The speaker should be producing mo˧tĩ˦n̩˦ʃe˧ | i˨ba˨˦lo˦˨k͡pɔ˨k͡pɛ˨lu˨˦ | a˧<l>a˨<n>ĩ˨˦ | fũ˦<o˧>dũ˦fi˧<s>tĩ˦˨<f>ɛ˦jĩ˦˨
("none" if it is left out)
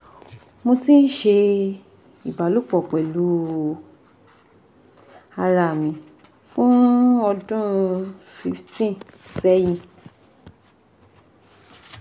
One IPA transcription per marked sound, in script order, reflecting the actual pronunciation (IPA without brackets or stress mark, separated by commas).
ɾ, m, ɔ˧, f, s